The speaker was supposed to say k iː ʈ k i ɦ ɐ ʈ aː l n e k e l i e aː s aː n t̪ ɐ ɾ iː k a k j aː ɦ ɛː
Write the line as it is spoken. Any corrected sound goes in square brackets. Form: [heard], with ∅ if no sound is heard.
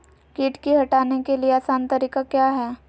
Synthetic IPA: k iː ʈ k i ɦ ɐ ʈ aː [∅] n e k e l i e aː s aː n t̪ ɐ ɾ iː k a k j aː ɦ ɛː

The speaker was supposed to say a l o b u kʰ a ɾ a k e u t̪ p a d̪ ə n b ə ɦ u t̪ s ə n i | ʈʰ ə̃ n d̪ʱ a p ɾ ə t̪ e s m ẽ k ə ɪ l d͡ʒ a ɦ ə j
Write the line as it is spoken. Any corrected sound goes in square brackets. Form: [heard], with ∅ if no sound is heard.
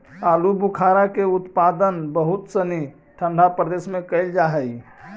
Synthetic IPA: a l [u] b u kʰ a ɾ a k e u t̪ p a d̪ ə n b ə ɦ u t̪ s ə n i | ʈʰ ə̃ n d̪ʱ a p ɾ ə [d̪] e s m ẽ k ə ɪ l d͡ʒ a ɦ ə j

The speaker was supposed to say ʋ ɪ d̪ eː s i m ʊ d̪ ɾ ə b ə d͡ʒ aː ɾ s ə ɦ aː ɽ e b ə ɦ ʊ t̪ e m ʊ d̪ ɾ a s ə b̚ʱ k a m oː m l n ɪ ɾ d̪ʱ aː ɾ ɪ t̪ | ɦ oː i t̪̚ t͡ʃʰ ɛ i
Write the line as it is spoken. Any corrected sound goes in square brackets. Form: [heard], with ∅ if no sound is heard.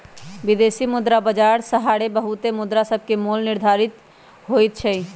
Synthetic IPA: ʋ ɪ d̪ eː s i m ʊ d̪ ɾ [a] b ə d͡ʒ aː ɾ s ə ɦ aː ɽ e b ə ɦ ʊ t̪ e m ʊ d̪ ɾ a s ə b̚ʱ k [e] m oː [∅] l n ɪ ɾ d̪ʱ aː ɾ ɪ t̪ | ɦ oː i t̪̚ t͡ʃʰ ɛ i

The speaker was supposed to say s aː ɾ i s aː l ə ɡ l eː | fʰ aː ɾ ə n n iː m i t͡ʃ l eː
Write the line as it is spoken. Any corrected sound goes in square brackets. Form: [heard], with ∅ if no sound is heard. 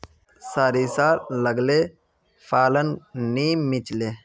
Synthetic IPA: s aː ɾ i s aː l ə ɡ l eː | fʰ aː [l] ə n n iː m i t͡ʃ l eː

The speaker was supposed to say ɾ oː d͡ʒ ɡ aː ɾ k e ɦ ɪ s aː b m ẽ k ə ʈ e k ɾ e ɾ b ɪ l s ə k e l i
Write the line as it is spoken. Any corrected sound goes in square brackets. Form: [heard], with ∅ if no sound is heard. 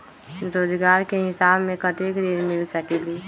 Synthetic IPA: ɾ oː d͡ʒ ɡ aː ɾ k e ɦ ɪ s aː b m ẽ k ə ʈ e k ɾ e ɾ [m] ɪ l s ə k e l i

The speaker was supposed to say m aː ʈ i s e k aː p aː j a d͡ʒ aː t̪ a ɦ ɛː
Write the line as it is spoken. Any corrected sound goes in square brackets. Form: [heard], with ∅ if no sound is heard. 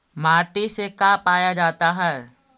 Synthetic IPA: m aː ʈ i s e k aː p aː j a d͡ʒ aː t̪ a ɦ ɛː

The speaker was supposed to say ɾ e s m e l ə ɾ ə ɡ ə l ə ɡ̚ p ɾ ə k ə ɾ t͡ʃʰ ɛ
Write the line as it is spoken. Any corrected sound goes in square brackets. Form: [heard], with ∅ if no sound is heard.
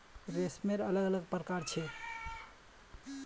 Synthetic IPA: ɾ e s m e [ɾ] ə [l] ə ɡ ə l ə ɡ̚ p ɾ ə k [a] ɾ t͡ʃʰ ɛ

